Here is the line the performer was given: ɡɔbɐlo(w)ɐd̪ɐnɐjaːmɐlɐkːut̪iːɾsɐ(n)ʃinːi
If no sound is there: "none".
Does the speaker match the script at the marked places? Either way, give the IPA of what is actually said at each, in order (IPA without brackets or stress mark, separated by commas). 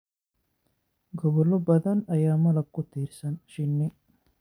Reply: b, n